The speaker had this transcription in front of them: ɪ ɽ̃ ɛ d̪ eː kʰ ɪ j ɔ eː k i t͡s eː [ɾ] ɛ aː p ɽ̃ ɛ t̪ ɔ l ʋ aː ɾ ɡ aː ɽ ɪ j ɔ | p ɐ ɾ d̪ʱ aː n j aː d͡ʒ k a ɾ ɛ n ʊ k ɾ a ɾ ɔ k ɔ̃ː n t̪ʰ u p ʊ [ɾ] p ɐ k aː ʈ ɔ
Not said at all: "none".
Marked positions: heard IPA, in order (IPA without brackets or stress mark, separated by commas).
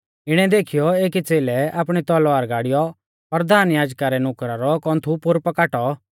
l, ɾ